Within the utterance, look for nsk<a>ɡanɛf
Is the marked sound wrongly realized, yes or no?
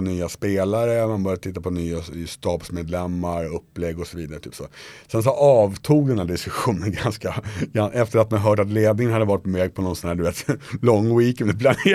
no